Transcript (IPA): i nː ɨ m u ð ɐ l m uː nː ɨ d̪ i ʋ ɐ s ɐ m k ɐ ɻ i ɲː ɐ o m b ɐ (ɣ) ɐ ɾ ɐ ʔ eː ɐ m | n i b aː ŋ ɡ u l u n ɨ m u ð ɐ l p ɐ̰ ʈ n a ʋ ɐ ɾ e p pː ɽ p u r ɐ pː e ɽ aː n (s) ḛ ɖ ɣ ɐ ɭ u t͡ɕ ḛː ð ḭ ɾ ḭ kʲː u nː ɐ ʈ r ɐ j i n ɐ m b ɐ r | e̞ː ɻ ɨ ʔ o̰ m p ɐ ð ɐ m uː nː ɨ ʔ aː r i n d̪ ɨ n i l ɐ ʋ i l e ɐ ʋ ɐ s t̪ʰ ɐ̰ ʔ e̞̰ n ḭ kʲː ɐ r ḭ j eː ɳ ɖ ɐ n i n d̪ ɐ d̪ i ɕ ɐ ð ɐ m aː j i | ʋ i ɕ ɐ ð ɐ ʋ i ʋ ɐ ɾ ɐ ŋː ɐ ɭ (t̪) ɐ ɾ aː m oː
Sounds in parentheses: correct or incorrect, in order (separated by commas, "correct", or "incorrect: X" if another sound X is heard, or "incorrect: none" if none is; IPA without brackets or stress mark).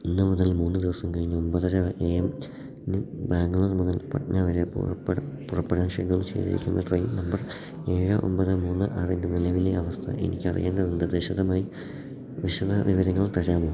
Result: incorrect: ð, incorrect: ʂ, correct